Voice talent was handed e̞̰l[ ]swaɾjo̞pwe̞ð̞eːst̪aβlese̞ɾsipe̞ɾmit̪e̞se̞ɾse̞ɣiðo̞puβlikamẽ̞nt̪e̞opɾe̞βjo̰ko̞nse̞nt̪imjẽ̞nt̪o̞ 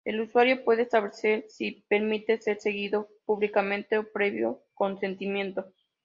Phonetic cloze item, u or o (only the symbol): u